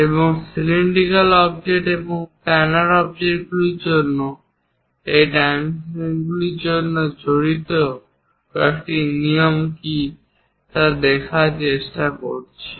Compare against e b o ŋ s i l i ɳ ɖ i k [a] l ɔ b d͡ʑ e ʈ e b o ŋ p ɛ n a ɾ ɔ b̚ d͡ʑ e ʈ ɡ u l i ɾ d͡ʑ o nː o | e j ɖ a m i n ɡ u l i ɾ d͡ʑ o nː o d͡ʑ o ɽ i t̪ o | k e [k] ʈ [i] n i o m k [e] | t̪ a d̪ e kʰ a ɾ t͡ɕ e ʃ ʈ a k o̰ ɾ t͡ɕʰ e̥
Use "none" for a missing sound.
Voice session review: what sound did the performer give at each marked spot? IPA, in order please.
a, k, i, i

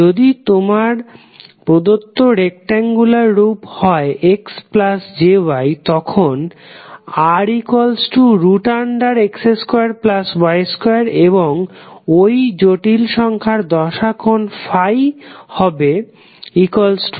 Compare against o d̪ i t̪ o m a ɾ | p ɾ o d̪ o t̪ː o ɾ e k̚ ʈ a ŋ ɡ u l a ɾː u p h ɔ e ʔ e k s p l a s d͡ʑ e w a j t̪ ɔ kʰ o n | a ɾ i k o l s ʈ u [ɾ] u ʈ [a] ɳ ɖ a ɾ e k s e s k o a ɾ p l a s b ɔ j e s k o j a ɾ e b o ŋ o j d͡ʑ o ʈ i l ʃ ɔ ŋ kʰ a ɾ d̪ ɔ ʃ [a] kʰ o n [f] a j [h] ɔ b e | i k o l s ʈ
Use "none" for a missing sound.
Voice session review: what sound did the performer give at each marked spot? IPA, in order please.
ɾ, a, a, f, h

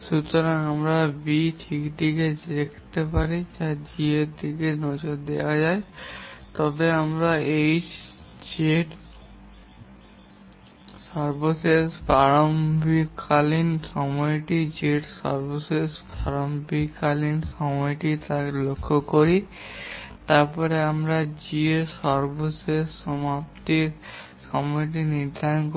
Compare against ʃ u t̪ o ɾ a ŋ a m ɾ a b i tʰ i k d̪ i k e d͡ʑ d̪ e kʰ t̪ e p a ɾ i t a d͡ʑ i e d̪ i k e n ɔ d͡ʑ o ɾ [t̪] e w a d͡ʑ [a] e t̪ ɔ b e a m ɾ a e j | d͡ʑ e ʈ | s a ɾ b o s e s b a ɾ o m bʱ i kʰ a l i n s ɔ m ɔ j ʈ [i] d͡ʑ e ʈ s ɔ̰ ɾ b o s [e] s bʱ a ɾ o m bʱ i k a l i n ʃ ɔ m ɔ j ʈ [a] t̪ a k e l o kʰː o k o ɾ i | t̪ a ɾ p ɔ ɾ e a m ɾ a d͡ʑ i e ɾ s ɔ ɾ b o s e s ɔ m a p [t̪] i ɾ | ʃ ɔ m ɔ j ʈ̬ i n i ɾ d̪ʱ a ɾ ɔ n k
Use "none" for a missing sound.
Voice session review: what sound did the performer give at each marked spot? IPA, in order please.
d̪, a, i, e, i, t̪

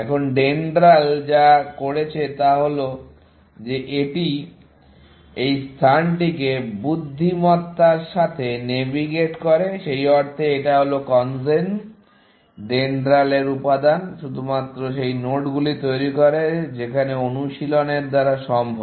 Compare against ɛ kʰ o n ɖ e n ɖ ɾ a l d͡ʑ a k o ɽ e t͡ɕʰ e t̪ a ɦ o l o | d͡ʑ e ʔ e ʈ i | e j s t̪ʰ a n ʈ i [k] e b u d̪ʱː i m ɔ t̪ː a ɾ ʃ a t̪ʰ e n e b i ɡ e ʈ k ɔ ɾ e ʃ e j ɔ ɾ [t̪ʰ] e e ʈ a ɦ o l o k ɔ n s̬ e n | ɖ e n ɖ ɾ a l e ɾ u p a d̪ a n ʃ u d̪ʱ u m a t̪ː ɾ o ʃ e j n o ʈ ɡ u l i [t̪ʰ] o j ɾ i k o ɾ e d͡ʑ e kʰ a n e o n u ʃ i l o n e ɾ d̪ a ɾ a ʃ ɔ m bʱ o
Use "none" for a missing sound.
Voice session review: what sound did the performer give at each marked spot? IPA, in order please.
k, t̪ʰ, t̪

